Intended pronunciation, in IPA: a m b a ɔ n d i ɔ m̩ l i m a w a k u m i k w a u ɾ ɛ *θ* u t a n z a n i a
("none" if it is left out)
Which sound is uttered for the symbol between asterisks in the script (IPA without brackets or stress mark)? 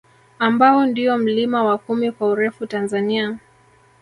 f